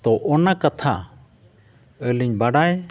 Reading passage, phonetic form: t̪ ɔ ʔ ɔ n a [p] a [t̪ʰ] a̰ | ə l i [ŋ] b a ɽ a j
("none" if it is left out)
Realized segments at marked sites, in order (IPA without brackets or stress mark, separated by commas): k, t̪ʰ, ɲ